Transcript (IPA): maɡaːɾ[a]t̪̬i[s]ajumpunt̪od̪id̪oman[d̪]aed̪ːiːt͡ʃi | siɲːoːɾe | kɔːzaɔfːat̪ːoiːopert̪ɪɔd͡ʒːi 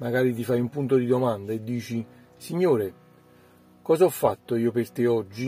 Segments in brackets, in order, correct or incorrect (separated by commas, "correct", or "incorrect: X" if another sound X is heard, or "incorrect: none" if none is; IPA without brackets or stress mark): incorrect: i, incorrect: f, correct